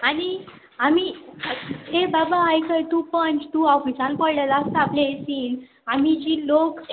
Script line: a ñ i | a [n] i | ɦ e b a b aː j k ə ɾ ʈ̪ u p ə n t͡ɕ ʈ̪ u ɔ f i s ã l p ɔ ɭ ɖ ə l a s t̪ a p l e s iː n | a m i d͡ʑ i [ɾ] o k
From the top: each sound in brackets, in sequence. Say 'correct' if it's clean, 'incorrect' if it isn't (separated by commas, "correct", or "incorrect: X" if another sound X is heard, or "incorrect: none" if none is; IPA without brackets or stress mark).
incorrect: m, incorrect: l